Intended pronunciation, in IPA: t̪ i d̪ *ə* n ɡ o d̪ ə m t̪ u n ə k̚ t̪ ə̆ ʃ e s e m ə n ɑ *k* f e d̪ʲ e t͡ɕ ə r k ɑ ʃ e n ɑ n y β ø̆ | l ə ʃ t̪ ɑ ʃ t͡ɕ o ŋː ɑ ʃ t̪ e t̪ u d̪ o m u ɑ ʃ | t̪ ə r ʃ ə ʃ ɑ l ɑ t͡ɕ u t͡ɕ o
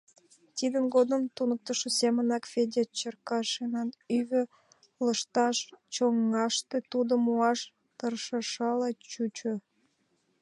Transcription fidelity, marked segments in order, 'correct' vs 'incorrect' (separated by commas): correct, correct